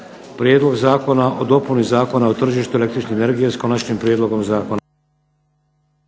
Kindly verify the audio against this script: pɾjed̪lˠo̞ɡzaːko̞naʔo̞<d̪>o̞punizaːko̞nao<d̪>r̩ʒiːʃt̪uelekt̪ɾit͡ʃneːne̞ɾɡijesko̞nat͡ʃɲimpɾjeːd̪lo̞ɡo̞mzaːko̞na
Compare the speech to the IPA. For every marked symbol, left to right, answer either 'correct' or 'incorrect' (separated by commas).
correct, incorrect